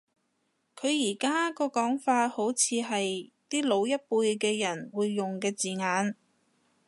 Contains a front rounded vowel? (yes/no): no